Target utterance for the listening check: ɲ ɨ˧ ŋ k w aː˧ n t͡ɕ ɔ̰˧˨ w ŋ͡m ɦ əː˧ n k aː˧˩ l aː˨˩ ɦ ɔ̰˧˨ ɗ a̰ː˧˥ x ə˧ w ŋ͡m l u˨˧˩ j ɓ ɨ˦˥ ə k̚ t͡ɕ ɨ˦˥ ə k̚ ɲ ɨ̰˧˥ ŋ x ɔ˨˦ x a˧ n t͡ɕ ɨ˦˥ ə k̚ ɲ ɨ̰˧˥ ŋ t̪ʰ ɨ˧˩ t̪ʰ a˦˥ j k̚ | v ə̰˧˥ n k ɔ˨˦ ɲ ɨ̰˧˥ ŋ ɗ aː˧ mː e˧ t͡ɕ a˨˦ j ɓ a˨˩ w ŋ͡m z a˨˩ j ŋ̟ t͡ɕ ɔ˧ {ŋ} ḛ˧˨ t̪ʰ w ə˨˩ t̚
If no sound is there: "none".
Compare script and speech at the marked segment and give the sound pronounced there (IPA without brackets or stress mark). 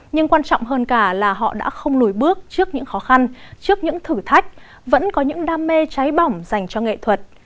ŋ